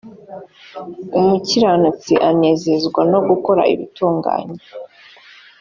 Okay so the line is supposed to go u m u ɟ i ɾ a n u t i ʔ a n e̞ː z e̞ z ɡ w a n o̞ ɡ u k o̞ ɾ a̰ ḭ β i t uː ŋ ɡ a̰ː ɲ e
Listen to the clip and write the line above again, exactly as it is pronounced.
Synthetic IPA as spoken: u m u c i ɾ a n u t͡s i ʔ a n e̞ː z e̞ z ɡ w a n o̞ ɡ u k o̞ ɾ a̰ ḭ β i t uː ŋ ɡ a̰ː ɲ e